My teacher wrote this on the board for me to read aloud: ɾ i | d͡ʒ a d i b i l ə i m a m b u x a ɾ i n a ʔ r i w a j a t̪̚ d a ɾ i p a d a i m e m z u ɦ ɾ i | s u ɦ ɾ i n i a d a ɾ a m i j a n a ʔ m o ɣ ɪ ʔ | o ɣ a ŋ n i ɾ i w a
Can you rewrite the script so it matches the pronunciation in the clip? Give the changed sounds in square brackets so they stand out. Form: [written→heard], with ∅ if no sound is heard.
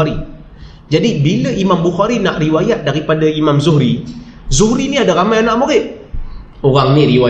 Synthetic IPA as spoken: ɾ i | d͡ʒ a d i b i l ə i m a m b u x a ɾ i n a ʔ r i w a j a t̪̚ d a ɾ i p a d a i m [e→a] m z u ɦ ɾ i | [s→z] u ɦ ɾ i n i a d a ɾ a m [i→a] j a n a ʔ m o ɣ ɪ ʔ | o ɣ a ŋ n i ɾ i w a